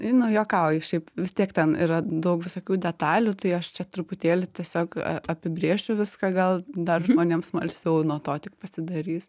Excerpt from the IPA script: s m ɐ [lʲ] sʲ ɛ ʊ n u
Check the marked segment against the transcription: correct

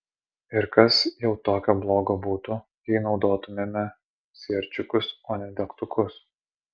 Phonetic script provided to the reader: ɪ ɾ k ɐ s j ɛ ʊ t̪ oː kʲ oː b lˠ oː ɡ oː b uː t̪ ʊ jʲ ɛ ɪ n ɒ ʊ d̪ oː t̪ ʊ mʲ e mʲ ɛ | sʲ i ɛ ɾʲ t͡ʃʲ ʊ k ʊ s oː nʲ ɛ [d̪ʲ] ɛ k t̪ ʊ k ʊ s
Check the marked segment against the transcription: correct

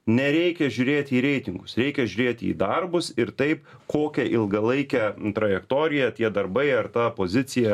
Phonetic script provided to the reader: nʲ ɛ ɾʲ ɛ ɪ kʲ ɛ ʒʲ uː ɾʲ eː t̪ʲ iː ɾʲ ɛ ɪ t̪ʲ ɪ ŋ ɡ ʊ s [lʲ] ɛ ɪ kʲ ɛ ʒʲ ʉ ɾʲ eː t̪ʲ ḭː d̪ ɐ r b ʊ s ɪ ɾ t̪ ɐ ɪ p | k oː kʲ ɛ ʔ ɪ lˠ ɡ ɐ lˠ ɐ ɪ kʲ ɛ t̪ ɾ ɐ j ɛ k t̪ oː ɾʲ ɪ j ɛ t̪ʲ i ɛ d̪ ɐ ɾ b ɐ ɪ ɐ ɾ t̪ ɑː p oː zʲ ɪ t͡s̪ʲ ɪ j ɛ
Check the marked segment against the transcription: incorrect: ɾʲ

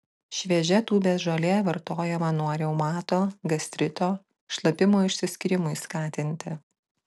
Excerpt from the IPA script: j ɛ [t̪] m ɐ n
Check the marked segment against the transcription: incorrect: none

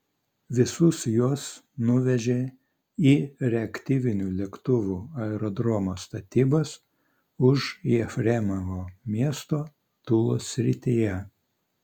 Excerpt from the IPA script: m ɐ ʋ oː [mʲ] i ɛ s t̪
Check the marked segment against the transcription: correct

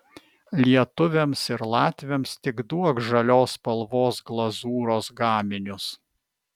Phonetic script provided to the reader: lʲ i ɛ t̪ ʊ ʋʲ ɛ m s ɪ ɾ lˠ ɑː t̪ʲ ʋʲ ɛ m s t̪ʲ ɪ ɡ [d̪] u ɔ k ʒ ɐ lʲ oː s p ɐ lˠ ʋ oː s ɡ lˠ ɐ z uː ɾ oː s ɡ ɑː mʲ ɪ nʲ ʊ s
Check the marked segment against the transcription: correct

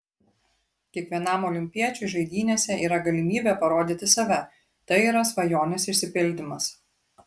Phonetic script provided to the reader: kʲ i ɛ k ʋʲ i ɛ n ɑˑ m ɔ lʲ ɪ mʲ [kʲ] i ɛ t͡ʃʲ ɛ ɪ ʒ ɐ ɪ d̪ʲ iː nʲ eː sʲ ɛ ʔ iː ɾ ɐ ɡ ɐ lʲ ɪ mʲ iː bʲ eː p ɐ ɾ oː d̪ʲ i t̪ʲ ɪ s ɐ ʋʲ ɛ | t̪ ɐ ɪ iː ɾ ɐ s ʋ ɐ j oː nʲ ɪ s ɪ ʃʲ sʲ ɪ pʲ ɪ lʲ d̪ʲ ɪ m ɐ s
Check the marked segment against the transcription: incorrect: pʲ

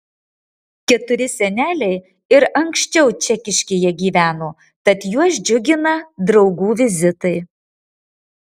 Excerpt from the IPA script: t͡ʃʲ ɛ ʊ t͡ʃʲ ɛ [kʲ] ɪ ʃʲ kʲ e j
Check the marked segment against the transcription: correct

